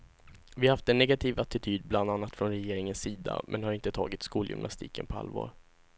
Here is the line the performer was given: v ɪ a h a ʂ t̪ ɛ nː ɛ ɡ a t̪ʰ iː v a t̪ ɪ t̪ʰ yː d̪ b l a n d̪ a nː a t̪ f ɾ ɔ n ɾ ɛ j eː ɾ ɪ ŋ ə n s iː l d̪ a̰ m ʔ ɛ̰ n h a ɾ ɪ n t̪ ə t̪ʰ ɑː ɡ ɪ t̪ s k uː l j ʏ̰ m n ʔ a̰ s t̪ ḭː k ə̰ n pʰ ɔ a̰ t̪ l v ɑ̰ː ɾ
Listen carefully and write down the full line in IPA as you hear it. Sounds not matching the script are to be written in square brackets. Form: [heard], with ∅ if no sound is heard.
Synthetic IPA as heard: v ɪ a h a [f] t̪ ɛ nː ɛ ɡ a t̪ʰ iː v a t̪ ɪ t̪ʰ yː d̪ b l a n d̪ a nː a t̪ f ɾ ɔ n ɾ ɛ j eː ɾ ɪ ŋ ə n s iː [∅] d̪ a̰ m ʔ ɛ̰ n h a ɾ ɪ n t̪ ə t̪ʰ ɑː ɡ ɪ t̪ s k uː l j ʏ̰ m n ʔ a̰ s t̪ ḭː k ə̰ n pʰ ɔ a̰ [∅] l v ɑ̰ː ɾ